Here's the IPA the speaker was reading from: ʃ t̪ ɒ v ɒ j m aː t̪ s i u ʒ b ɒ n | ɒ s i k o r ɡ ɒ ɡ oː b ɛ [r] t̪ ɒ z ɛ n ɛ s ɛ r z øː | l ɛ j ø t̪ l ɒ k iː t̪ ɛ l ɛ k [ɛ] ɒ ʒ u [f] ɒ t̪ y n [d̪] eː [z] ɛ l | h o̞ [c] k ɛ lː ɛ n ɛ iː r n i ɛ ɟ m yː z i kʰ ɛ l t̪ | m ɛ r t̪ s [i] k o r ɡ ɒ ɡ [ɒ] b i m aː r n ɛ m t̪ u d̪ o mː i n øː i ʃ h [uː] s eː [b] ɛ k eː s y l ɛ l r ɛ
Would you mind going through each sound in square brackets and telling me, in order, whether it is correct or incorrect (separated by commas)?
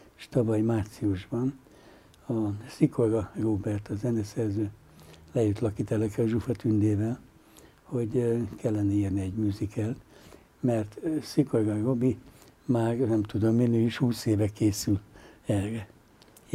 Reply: correct, correct, correct, correct, incorrect, incorrect, correct, incorrect, correct, incorrect